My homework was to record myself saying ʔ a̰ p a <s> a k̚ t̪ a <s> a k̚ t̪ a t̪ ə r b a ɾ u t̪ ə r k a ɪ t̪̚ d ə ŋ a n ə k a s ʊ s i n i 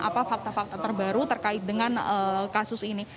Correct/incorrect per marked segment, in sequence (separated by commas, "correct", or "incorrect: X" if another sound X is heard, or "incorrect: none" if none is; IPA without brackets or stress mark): incorrect: f, incorrect: f